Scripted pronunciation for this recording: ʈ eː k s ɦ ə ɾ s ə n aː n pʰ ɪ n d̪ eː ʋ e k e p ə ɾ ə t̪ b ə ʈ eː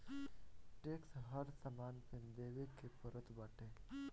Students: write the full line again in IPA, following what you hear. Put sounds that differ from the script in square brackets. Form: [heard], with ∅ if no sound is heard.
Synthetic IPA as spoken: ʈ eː k s ɦ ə ɾ s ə [m] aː n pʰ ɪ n d̪ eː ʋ e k e p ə ɾ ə t̪ b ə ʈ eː